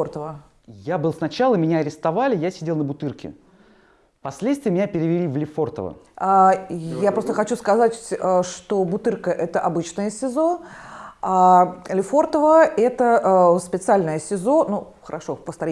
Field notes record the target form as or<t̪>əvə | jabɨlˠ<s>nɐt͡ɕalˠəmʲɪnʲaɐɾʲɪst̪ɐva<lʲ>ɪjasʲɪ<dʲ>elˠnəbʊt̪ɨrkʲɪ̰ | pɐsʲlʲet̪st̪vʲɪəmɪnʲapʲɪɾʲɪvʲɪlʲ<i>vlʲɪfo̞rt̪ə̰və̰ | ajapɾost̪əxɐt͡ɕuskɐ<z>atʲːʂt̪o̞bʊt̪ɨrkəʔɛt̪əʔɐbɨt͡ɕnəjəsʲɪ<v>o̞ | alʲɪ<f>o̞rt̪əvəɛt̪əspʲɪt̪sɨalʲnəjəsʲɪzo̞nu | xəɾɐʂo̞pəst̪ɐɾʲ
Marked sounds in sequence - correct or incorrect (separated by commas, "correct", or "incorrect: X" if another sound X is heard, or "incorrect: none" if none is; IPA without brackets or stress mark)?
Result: correct, correct, correct, correct, correct, correct, incorrect: z, correct